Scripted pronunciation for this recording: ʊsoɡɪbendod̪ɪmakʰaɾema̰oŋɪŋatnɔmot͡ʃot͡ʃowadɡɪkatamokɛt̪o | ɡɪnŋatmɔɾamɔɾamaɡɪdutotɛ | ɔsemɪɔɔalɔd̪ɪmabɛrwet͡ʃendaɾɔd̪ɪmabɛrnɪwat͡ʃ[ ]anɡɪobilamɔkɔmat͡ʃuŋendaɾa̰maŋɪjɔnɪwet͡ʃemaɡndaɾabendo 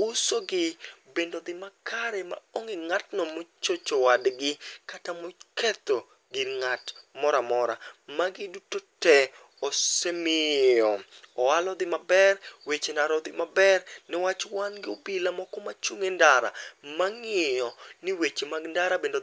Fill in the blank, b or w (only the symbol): w